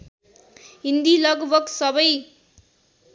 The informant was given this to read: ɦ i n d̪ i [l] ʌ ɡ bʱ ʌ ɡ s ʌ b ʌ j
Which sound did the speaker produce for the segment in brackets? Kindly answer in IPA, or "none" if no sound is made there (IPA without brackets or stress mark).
l